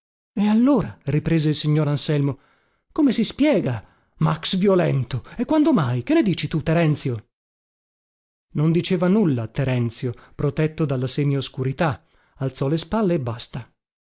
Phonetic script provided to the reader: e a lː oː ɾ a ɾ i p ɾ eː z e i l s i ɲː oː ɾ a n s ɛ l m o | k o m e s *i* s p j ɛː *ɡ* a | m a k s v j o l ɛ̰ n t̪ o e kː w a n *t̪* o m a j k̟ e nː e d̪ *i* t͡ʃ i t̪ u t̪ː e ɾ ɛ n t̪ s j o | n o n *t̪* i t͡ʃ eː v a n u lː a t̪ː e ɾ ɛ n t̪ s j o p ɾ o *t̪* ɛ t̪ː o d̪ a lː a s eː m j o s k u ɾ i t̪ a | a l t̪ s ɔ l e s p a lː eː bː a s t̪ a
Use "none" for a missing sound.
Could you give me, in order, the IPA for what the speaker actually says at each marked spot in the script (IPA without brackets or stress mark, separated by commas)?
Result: i, ɡ, d̪, iː, d̪, t̪